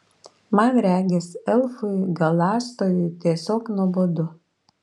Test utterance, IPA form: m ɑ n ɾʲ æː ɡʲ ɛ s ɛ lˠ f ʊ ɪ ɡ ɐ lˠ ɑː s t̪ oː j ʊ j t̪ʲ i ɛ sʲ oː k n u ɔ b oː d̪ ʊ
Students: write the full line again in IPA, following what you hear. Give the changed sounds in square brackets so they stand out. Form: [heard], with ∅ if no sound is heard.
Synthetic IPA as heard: m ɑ n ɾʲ æː ɡʲ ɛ s ɛ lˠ f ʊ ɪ ɡ ɐ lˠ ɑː s t̪ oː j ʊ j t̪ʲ i ɛ sʲ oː k n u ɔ b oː d̪ ʊ

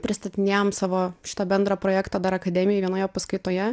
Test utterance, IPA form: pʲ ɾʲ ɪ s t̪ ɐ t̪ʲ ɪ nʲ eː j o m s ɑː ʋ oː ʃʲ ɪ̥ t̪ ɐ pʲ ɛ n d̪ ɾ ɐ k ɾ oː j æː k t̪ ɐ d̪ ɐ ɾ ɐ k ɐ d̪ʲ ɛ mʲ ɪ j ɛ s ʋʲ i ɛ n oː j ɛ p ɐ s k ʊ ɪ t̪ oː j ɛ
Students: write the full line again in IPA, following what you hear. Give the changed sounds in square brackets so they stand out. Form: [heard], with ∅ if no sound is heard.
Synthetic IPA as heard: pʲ ɾʲ ɪ s t̪ ɐ t̪ʲ ɪ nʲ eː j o m s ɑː ʋ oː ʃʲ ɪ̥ t̪ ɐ [bʲ] ɛ n d̪ ɾ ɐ [p] ɾ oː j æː k t̪ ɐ d̪ ɐ ɾ ɐ k ɐ d̪ʲ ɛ mʲ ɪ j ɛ [∅] ʋʲ i ɛ n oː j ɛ p ɐ s k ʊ ɪ t̪ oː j ɛ

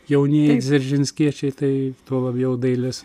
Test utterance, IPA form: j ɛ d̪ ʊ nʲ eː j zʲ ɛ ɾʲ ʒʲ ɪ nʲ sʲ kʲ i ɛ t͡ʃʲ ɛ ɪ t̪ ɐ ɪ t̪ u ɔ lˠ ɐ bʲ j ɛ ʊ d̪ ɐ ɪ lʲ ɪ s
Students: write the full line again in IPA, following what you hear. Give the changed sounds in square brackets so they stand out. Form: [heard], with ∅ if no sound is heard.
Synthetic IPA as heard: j ɛ [∅] ʊ nʲ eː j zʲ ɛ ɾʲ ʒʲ ɪ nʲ sʲ kʲ i ɛ t͡ʃʲ ɛ ɪ t̪ ɐ ɪ t̪ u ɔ lˠ ɐ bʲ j ɛ ʊ d̪ ɐ ɪ lʲ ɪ s

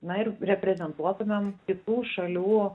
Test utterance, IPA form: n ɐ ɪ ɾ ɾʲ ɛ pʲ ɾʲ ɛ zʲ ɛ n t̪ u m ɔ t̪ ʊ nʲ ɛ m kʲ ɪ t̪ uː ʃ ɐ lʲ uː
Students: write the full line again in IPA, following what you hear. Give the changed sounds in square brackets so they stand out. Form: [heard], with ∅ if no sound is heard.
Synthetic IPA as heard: n ɐ ɪ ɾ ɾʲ ɛ pʲ ɾʲ ɛ zʲ ɛ n t̪ u [∅] ɔ t̪ ʊ [mʲ] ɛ m kʲ ɪ t̪ uː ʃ ɐ lʲ uː

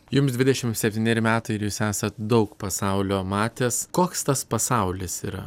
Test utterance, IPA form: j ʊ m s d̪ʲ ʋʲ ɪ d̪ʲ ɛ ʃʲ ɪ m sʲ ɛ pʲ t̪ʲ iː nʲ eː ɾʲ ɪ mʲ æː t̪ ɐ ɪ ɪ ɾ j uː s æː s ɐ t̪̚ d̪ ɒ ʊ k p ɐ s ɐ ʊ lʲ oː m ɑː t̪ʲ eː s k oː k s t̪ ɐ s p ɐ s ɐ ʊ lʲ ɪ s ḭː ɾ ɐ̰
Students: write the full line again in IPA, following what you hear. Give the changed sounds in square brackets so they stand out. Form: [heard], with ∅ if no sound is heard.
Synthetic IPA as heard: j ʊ m s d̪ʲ ʋʲ ɪ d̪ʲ ɛ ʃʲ ɪ m sʲ ɛ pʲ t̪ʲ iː nʲ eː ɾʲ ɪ mʲ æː t̪ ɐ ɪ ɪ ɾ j uː s æː s ɐ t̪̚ d̪ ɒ ʊ k p ɐ s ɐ ʊ lʲ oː m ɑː t̪ʲ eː s k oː k s t̪ ɐ s p ɐ s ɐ ʊ lʲ ɪ s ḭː ɾ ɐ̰

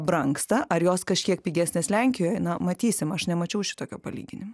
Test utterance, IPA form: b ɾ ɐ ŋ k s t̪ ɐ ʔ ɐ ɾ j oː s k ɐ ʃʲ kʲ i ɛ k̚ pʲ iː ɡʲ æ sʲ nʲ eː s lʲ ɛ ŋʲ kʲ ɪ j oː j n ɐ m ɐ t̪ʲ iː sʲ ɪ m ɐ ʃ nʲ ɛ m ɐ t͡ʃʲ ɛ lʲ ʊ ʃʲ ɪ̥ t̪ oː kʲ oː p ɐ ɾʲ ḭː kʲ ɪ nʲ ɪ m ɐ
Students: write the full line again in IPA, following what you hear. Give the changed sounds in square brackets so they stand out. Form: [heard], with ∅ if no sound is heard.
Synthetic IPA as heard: b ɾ ɐ ŋ k s t̪ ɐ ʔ ɐ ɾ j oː s k ɐ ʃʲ kʲ i ɛ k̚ pʲ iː ɡʲ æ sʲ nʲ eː s lʲ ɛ ŋʲ kʲ ɪ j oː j n ɐ m ɐ t̪ʲ iː sʲ ɪ m ɐ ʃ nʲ ɛ m ɐ t͡ʃʲ ɛ [∅] ʊ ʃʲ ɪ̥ t̪ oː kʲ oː p ɐ [lʲ] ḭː [ɡʲ] ɪ nʲ ɪ m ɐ

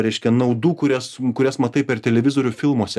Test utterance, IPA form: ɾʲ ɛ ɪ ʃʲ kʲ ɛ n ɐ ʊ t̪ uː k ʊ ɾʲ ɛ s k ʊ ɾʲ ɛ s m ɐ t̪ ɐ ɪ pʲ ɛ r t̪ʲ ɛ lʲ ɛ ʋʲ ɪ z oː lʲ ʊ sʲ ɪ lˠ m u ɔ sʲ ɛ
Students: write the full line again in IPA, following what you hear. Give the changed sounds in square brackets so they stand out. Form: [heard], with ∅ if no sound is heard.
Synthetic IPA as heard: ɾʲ ɛ ɪ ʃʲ kʲ ɛ n ɐ ʊ [d̪] uː k ʊ ɾʲ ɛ s k ʊ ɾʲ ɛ s m ɐ t̪ ɐ ɪ pʲ ɛ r t̪ʲ ɛ lʲ ɛ ʋʲ ɪ z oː [ɾʲ] ʊ [fʲ] ɪ lˠ m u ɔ sʲ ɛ

